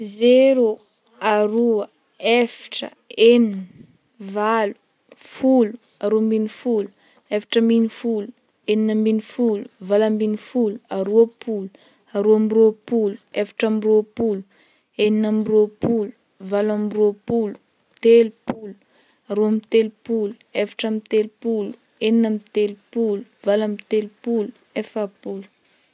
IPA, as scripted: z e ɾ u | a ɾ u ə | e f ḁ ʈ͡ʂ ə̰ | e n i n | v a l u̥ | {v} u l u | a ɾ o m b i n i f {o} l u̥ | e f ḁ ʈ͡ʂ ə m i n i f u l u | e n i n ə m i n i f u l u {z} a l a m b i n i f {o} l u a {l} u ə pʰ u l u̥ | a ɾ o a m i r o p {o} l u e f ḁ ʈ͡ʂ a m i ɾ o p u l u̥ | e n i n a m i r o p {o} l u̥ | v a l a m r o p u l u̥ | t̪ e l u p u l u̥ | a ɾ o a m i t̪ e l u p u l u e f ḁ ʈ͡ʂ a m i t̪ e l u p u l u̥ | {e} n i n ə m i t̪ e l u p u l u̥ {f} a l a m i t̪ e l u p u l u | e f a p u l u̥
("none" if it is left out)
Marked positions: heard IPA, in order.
f, u, v, u, ɾ, u, u, e, v

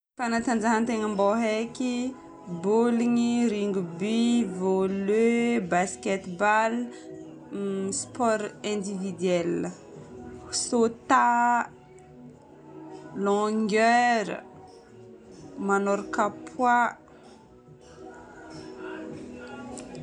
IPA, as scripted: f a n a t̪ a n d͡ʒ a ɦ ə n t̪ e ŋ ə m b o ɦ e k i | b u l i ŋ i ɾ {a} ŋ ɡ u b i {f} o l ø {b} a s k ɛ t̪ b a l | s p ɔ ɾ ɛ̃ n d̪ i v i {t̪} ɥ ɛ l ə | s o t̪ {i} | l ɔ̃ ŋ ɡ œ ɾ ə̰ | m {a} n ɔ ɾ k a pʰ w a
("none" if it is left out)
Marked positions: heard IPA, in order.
i, v, b, d̪, a, a

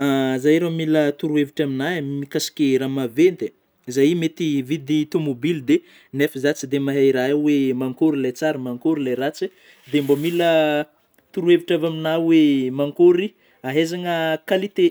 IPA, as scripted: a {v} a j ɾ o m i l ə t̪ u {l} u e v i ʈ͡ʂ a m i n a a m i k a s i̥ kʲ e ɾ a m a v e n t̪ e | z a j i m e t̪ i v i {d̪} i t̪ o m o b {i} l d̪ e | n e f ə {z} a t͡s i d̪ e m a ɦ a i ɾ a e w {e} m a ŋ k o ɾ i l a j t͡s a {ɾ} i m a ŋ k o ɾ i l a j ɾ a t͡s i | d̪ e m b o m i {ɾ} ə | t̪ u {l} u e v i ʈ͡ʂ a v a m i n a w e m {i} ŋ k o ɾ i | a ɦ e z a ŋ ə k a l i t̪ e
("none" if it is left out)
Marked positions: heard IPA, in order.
z, ɾ, d̪, i, z, e, ɾ, l, ɾ, a

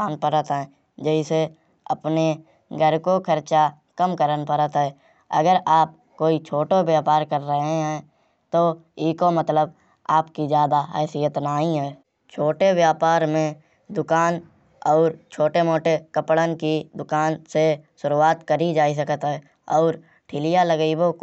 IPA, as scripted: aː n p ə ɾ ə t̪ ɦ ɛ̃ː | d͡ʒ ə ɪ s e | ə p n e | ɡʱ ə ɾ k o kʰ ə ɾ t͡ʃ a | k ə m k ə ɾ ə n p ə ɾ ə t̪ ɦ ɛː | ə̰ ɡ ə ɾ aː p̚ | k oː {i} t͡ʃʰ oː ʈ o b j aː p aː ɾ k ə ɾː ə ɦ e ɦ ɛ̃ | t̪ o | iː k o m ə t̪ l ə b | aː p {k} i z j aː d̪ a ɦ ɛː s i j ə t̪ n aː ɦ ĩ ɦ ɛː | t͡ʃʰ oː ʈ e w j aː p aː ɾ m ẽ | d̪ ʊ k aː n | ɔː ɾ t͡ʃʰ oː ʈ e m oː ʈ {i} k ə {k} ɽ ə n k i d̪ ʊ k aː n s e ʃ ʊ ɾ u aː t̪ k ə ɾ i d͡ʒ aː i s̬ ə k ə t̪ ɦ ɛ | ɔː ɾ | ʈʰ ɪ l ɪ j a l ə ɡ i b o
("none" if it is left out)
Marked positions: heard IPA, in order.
i, k, e, p

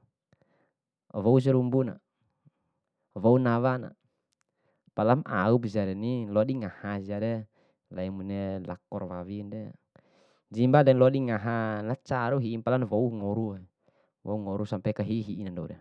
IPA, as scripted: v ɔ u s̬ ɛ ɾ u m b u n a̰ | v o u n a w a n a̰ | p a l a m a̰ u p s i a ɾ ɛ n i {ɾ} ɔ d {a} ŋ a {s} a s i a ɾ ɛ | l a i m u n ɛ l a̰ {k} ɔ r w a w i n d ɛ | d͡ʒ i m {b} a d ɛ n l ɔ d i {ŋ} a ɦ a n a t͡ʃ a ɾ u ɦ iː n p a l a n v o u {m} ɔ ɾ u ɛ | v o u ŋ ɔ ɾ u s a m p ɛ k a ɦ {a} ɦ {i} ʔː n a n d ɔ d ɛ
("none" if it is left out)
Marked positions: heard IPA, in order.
l, i, h, k, b, ŋ, ŋ, i, i

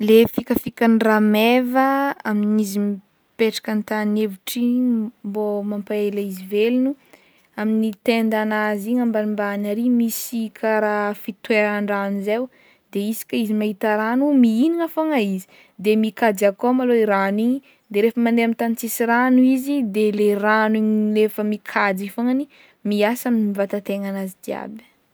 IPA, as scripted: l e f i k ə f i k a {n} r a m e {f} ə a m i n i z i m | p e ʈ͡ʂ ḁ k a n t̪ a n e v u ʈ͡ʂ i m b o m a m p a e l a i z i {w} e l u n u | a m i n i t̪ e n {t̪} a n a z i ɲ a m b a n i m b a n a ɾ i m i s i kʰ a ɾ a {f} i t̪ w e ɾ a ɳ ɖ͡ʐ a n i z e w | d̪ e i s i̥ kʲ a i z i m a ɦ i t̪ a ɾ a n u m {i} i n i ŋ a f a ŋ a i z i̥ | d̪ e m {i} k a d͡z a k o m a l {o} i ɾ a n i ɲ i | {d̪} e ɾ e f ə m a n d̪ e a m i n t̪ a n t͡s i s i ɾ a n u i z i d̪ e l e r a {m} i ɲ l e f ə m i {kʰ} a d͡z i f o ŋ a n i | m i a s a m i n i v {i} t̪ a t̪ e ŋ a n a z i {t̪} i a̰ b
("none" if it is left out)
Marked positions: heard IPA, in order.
n, v, v, d̪, f, i, i, o, d̪, n, kʰ, a, d̪

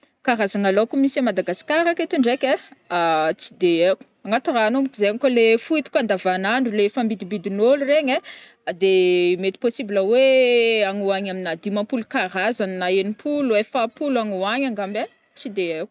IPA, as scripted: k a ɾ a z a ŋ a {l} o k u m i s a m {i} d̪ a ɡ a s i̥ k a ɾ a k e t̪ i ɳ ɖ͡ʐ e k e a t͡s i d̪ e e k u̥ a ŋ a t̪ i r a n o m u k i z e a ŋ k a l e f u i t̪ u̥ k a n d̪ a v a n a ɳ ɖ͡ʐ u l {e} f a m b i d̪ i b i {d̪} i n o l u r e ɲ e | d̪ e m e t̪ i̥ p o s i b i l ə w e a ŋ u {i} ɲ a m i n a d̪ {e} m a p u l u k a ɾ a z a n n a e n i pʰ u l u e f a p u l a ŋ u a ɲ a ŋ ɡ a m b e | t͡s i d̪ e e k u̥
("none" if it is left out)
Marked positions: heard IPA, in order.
l, a, e, d̪, a, i

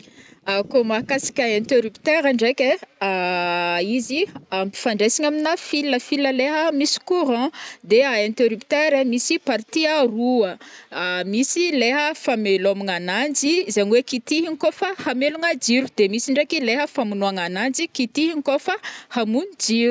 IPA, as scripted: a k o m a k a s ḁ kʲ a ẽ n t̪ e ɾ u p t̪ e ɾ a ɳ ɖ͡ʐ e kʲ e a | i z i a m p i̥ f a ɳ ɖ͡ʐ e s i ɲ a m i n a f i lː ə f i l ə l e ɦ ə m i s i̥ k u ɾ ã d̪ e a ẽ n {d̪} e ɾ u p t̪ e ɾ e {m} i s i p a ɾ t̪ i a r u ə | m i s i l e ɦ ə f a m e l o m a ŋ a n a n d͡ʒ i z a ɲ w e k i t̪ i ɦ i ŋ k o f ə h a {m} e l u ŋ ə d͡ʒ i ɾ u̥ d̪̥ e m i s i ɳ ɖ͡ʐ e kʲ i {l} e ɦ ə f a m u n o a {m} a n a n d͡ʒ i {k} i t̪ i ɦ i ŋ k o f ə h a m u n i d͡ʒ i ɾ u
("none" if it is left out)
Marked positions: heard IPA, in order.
t̪, m, m, l, ŋ, k

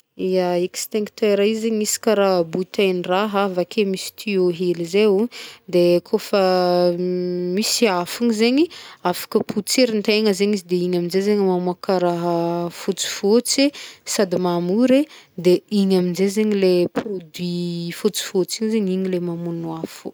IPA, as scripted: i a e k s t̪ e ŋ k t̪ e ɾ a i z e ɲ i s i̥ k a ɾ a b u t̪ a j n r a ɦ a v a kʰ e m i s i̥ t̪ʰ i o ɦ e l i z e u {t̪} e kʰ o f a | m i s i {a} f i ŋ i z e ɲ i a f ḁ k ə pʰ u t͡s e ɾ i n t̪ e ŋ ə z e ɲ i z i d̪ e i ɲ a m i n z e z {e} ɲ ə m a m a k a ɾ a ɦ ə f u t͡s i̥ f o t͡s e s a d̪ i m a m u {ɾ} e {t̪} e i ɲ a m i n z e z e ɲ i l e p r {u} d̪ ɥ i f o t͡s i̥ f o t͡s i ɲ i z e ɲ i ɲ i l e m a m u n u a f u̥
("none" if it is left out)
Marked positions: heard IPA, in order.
d̪, a, e, ɾ, d̪, o

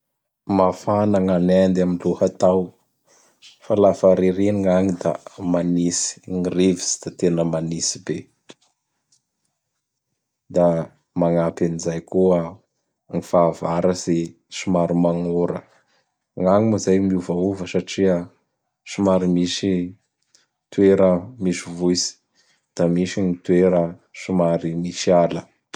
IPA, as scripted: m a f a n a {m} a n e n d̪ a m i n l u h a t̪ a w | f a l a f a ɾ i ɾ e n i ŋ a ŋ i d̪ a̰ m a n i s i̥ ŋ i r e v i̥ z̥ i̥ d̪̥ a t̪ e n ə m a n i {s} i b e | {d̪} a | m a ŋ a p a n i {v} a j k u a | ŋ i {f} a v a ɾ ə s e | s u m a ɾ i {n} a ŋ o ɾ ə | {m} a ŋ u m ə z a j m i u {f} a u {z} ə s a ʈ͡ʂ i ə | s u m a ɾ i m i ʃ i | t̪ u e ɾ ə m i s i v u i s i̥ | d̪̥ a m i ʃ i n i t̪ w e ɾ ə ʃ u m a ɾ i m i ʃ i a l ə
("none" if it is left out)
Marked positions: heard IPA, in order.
ŋ, s, d̪, z, f, m, ŋ, v, v

